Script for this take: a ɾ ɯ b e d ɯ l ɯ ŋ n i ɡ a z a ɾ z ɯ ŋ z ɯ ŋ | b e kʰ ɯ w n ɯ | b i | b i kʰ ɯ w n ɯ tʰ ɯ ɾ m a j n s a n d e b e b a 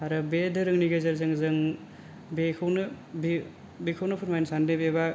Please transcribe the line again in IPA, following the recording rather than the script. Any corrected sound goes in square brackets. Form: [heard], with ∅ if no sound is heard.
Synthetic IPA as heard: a ɾ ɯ b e d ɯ [ɾ] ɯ ŋ n i ɡ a z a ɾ z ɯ ŋ z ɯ ŋ | b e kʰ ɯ w n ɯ | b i | b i kʰ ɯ w n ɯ [pʰ] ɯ ɾ m a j n s a n d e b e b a